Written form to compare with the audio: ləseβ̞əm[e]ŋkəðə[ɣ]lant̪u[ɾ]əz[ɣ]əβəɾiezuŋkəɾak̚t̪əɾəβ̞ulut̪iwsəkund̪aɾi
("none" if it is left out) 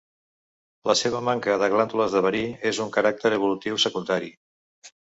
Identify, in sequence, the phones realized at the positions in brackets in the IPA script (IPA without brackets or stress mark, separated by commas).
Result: a, ɣ, l, ð